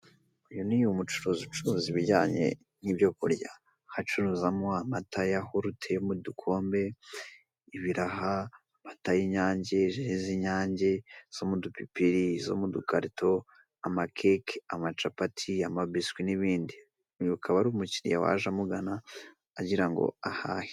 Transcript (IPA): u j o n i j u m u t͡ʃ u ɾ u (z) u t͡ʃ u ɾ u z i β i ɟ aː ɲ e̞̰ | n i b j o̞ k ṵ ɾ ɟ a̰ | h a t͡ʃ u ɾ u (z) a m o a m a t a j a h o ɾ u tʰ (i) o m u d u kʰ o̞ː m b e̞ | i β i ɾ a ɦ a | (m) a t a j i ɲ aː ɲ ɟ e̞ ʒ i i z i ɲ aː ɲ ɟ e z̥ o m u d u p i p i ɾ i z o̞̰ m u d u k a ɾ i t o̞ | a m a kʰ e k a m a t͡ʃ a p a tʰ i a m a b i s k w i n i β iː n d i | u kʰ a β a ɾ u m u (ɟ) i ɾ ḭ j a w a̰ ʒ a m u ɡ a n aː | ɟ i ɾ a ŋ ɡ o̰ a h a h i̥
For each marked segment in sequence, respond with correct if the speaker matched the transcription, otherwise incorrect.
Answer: correct, correct, incorrect: e, correct, incorrect: c

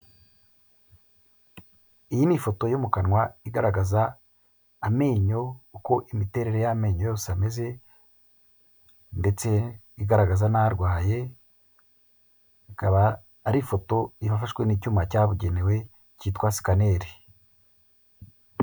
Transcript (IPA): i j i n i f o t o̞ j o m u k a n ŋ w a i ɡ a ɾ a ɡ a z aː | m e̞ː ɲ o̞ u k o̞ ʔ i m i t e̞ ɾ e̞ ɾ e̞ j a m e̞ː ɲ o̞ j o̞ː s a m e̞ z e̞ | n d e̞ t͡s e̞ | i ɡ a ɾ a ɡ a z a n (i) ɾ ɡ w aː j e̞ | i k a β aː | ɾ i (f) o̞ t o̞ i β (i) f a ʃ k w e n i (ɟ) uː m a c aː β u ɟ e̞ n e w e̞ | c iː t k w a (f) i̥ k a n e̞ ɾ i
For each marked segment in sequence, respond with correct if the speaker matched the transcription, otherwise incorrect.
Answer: incorrect: a, correct, incorrect: a, incorrect: c, incorrect: s

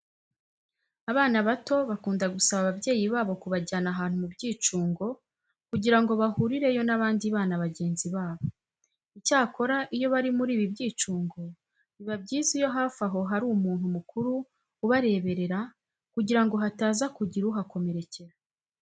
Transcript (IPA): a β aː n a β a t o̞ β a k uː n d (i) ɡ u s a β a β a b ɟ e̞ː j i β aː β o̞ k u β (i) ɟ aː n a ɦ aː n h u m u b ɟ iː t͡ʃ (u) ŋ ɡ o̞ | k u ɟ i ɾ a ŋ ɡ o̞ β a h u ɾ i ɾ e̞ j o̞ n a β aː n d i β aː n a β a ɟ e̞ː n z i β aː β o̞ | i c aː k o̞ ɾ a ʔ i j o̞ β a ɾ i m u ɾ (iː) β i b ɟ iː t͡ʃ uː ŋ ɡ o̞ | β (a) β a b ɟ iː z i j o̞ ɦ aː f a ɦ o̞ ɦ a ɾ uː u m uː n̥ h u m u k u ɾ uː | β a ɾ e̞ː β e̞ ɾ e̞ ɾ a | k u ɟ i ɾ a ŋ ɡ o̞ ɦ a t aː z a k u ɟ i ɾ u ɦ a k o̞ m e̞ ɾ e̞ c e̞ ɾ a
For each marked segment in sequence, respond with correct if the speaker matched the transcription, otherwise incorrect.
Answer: incorrect: a, incorrect: a, incorrect: uː, correct, incorrect: i

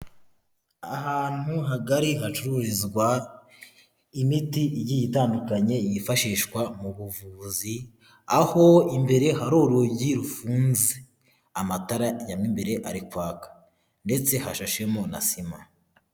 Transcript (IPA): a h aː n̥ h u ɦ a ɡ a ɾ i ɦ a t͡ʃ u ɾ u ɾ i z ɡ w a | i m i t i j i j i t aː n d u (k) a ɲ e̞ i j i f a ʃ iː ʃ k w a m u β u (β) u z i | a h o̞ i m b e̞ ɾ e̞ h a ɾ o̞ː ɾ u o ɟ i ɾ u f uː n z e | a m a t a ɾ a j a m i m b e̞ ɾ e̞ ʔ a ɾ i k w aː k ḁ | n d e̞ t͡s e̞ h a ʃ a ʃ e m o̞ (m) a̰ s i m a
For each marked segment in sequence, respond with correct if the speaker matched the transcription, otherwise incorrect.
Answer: correct, incorrect: v, incorrect: n

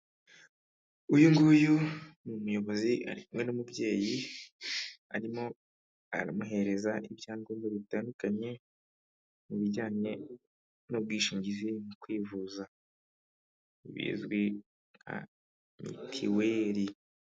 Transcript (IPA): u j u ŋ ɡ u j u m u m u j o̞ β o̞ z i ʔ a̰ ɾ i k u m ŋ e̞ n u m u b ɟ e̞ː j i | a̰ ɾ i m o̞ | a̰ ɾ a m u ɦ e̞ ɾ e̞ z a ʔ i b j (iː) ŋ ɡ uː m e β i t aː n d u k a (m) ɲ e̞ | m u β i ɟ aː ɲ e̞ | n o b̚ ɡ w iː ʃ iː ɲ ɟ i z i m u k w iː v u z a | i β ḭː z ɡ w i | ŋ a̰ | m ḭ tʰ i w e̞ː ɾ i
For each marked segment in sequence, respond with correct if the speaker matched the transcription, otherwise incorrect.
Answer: incorrect: aː, incorrect: ɲ

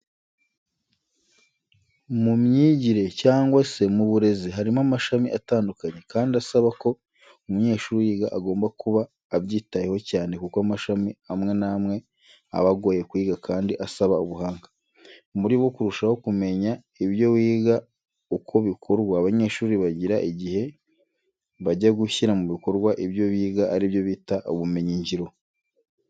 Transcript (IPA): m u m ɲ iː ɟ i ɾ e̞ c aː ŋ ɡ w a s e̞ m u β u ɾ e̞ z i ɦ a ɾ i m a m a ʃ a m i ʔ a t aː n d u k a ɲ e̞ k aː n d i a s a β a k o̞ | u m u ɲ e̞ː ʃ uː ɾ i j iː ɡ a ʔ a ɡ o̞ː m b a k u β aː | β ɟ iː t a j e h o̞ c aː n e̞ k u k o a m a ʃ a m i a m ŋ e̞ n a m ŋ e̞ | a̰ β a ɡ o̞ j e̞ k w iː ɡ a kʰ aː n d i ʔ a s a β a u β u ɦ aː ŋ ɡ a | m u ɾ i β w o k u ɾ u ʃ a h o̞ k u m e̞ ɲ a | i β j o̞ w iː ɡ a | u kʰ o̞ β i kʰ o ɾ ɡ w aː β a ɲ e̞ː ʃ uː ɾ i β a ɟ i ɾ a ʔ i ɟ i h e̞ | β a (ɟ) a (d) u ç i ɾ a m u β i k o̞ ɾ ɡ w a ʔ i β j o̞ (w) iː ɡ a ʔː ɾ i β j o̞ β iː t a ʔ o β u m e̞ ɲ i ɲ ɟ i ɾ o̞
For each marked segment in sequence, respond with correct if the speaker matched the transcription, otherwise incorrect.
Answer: correct, incorrect: ɡ, incorrect: β

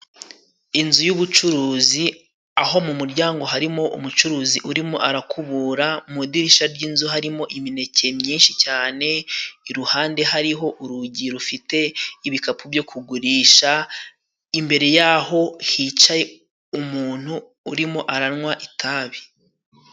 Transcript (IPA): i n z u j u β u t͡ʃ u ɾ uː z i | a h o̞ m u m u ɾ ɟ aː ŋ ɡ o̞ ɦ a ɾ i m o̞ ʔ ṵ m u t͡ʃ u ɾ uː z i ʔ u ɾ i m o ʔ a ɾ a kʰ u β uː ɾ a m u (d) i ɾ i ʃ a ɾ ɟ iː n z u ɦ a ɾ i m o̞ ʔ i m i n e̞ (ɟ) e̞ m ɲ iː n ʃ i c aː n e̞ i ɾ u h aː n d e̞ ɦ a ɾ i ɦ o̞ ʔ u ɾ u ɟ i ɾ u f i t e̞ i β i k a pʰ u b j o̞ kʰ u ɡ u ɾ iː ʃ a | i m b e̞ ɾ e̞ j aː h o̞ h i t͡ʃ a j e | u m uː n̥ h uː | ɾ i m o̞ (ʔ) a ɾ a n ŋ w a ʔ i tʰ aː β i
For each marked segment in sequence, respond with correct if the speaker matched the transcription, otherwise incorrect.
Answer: correct, incorrect: c, correct

